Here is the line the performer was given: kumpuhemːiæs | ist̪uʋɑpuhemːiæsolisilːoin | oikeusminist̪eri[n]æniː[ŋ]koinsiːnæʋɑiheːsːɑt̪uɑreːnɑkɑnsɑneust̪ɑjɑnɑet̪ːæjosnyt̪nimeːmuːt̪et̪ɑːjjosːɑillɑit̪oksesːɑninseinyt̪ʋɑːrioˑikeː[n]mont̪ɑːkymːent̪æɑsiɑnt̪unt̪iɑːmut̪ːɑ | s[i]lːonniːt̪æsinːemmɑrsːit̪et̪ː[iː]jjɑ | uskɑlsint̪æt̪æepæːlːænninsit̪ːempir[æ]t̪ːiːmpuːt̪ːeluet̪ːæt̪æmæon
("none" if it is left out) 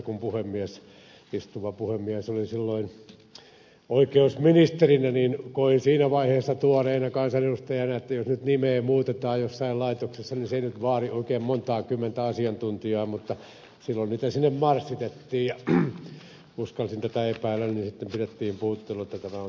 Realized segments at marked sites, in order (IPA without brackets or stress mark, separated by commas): n, n, m, i, iː, e